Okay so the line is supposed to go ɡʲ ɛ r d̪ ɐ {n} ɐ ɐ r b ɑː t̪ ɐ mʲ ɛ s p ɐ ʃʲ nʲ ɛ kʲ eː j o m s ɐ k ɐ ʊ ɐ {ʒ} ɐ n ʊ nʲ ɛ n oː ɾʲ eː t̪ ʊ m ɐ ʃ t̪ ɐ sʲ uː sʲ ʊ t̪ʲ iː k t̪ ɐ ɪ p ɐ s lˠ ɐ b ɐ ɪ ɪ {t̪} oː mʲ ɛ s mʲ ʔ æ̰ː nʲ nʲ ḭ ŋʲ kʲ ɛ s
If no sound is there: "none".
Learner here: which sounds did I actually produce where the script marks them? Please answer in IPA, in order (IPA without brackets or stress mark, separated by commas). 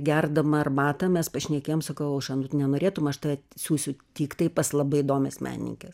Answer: m, ʃ, d̪